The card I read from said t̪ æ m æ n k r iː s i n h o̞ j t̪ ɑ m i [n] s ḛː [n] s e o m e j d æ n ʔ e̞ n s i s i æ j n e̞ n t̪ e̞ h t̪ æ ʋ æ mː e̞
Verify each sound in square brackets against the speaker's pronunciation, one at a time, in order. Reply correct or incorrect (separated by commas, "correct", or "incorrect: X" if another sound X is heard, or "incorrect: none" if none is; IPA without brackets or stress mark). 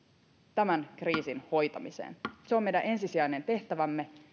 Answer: incorrect: none, correct